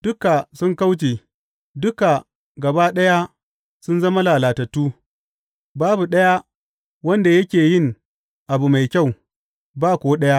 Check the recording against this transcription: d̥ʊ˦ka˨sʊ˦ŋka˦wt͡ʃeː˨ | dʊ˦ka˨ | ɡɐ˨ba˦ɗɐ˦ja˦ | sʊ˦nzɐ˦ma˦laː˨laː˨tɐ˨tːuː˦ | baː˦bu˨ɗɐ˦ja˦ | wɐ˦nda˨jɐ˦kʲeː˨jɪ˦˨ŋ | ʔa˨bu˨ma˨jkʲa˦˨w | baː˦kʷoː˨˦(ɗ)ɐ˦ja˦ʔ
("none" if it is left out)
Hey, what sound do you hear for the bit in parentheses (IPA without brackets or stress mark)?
ɗ